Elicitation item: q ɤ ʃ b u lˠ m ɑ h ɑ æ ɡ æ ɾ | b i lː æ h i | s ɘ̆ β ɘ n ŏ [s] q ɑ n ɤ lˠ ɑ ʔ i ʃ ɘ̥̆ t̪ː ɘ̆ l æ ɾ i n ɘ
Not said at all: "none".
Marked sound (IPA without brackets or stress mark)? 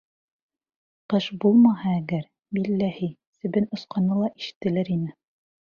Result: s